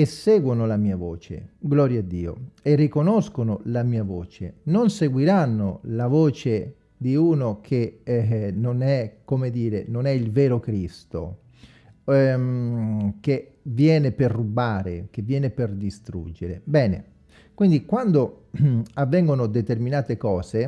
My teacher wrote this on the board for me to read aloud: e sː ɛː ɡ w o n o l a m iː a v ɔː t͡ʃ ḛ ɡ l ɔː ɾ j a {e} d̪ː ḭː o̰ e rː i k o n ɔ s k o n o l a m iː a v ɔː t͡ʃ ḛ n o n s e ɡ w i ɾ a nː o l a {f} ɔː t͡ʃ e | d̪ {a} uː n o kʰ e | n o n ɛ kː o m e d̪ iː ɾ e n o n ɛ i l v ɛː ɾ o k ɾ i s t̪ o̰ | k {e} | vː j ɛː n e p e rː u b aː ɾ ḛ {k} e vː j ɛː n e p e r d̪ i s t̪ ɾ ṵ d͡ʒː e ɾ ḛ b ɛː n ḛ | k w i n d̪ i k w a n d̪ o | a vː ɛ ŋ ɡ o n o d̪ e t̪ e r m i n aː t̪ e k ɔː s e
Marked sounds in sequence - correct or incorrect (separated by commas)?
incorrect, incorrect, incorrect, correct, correct